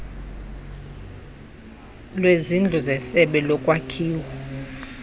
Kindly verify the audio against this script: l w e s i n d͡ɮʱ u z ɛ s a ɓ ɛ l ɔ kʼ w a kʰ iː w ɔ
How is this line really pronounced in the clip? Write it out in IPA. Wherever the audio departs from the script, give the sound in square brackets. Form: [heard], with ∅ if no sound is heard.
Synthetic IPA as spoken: l w e [z] i n d͡ɮʱ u z ɛ s [ɛ] ɓ ɛ l ɔ kʼ w a kʰ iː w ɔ